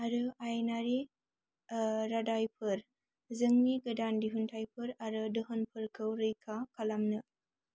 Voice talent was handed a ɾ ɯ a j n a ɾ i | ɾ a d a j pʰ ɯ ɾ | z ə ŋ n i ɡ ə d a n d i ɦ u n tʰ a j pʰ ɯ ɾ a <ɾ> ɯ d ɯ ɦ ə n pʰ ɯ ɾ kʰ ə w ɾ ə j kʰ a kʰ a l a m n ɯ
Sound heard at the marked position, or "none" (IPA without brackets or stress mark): ɾ